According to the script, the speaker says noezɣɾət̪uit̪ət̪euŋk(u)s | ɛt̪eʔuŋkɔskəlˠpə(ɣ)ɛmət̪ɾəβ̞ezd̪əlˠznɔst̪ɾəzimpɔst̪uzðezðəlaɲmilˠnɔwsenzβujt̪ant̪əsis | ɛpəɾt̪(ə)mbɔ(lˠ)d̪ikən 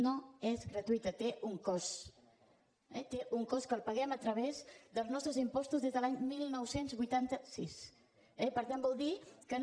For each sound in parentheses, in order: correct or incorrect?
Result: incorrect, correct, incorrect, correct

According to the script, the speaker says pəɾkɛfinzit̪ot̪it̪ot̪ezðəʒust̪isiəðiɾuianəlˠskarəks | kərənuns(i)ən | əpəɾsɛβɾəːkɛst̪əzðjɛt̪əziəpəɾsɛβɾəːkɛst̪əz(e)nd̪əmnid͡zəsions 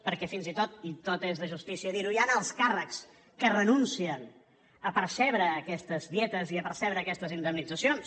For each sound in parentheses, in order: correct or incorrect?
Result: correct, incorrect

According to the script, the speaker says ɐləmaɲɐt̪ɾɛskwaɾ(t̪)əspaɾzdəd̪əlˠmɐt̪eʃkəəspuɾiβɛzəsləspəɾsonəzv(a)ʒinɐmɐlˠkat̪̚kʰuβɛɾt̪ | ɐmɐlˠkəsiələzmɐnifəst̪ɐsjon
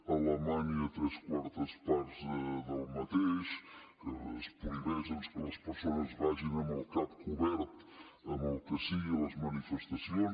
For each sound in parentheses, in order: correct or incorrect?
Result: correct, correct

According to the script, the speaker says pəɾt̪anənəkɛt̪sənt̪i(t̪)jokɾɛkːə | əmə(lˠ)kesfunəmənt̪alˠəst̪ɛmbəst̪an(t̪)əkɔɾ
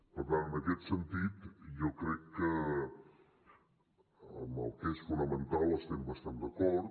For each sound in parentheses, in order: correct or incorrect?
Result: correct, correct, incorrect

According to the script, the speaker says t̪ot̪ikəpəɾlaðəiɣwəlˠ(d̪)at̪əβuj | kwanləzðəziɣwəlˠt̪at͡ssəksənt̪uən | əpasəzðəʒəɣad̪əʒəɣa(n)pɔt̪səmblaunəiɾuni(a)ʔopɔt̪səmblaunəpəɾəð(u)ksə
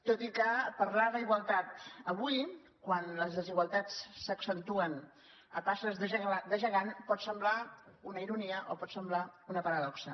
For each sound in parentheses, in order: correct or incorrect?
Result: incorrect, correct, incorrect, incorrect

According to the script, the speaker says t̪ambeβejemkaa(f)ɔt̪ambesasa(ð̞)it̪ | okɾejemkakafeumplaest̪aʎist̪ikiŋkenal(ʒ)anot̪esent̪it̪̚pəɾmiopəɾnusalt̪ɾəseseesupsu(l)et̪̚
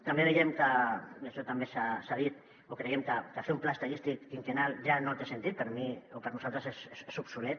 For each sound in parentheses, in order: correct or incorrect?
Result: incorrect, correct, correct, correct

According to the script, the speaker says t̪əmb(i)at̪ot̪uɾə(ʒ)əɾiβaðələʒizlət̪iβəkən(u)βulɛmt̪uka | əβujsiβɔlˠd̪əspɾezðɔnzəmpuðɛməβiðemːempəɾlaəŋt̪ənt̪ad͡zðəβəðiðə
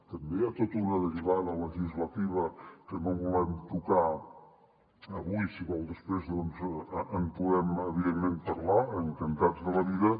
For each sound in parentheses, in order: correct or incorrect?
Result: incorrect, incorrect, incorrect

